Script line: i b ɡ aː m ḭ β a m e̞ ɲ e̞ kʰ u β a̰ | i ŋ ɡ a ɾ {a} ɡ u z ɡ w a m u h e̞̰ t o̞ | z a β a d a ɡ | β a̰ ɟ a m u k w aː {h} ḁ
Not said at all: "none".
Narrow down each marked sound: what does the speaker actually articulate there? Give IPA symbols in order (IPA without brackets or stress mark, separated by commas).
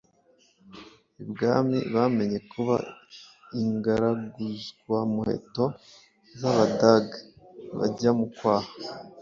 a, h